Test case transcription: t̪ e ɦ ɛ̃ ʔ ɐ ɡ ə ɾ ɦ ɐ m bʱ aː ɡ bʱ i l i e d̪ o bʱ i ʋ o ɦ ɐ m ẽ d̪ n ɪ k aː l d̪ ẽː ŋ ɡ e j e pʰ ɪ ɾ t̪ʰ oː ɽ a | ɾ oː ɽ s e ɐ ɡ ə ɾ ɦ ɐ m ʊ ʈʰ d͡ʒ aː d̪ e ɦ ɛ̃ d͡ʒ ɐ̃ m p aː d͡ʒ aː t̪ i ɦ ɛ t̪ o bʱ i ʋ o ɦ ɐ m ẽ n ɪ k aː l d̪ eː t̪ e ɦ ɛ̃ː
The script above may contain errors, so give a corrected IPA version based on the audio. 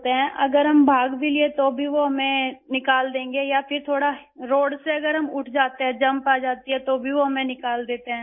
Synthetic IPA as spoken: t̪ e ɦ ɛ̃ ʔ ɐ ɡ ə ɾ ɦ ɐ m bʱ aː ɡ bʱ i l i e t̪ o bʱ i ʋ o ɦ ɐ m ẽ n ɪ k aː l d̪ ẽː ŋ ɡ e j a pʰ ɪ ɾ t̪ʰ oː ɽ a | ɾ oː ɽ s e ɐ ɡ ə ɾ ɦ ɐ m ʊ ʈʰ d͡ʒ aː t̪ e ɦ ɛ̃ d͡ʒ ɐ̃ m p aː d͡ʒ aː t̪ i ɦ ɛ t̪ o bʱ i ʋ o ɦ ɐ m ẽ n ɪ k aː l d̪ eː t̪ e ɦ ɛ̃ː

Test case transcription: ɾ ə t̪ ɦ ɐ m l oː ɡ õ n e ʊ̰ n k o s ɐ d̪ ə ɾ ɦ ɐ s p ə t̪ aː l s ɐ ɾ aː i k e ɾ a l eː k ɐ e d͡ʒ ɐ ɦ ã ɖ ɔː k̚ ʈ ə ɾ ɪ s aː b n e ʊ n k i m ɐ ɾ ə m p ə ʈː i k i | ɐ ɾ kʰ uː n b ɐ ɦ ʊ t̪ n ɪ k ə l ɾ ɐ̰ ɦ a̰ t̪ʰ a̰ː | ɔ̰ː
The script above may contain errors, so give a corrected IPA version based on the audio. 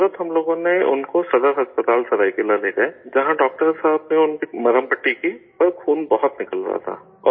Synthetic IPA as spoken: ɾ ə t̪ ɦ ɐ m l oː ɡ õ n e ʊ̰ n k o s ɐ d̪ ə ɾ ɦ ɐ s p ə t̪ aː l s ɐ ɾ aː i k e l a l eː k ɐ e d͡ʒ ɐ ɦ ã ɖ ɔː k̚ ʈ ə ɾ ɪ s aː b n e ʊ n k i m ɐ ɾ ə m p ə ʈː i k i | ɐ ɾ kʰ uː n b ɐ ɦ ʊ t̪ n ɪ k ə l ɾ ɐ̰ ɦ a̰ t̪ʰ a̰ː | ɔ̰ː

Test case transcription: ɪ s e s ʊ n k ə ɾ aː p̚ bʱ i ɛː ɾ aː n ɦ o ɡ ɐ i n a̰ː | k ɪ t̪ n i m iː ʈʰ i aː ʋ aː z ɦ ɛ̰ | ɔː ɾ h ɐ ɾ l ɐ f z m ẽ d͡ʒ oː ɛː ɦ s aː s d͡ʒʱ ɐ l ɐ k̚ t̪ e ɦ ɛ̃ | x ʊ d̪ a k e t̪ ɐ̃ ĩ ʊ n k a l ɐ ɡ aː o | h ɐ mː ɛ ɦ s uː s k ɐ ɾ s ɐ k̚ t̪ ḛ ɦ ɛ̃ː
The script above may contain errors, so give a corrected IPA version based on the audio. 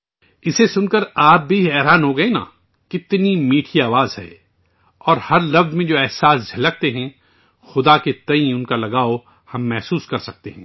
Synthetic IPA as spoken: ɪ s e s ʊ n k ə ɾ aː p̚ bʱ i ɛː ɾ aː n ɦ o ɡ ɐ e n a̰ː | k ɪ t̪ n i m iː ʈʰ i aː ʋ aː z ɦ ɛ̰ | ɔː ɾ h ɐ ɾ l ɐ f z m ẽ d͡ʒ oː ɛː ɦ s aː s d͡ʒʱ ɐ l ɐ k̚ t̪ e ɦ ɛ̃ | x ʊ d̪ a k e t̪ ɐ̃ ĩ ʊ n k a l ɐ ɡ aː o | h ɐ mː ɛ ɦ s uː s k ɐ ɾ s ɐ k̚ t̪ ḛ ɦ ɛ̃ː

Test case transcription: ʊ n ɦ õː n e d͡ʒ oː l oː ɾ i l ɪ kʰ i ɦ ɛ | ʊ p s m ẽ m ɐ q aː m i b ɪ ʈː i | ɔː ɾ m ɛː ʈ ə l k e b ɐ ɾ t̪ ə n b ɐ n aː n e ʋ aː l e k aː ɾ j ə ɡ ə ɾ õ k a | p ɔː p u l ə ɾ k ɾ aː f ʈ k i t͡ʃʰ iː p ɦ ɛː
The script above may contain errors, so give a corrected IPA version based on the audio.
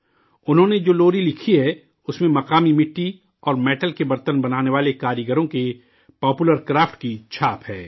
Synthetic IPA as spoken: ʊ n ɦ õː n e d͡ʒ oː l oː ɾ i l ɪ kʰ i ɦ ɛ | ʊ s m ẽ m ɐ q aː m i m ɪ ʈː i | ɔː ɾ m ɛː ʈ ə l k e b ɐ ɾ t̪ ə n b ɐ n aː n e ʋ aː l e k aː ɾ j ə ɡ ə ɾ õ k e | p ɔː p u l ə ɾ k ɾ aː f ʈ k i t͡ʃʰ aː p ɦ ɛː

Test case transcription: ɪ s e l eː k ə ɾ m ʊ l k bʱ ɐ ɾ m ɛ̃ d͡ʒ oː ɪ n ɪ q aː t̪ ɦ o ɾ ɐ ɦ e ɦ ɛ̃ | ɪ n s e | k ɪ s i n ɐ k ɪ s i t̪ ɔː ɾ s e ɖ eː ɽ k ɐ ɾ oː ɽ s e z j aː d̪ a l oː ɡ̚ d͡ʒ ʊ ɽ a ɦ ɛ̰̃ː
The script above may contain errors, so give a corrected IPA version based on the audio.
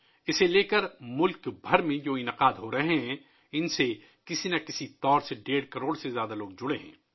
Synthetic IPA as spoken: ɪ s e l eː k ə ɾ m ʊ l k bʱ ɐ ɾ m ẽ d͡ʒ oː ɪ n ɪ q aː d̪ ɦ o ɾ ɐ ɦ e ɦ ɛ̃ | ɪ n s e | k ɪ s i n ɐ k ɪ s i t̪ ɔː ɾ s e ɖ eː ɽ k ɐ ɾ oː ɽ s e z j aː d̪ a l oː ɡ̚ d͡ʒ ʊ ɽ e ɦ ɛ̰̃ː

